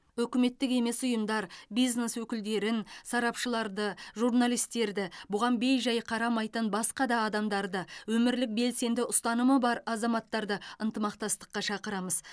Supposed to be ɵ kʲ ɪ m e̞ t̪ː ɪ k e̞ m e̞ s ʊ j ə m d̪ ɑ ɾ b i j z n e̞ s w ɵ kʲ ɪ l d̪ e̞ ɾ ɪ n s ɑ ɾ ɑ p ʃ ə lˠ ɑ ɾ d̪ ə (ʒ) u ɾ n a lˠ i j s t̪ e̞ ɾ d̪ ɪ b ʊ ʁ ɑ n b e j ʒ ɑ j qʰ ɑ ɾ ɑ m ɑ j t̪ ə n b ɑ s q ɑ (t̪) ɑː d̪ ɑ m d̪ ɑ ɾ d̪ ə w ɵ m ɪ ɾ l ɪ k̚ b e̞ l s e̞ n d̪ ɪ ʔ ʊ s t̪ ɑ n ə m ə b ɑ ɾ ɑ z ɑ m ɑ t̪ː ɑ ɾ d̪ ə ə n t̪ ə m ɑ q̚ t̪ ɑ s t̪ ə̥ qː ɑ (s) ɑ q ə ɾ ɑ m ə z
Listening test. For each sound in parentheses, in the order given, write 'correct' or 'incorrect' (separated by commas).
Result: correct, incorrect, incorrect